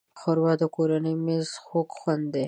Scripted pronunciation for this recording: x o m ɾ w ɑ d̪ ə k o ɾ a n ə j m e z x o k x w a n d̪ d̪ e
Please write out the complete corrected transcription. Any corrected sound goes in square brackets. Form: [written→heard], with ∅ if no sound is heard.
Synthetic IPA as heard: x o [m→∅] ɾ w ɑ d̪ ə k o ɾ a n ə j m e z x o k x w a n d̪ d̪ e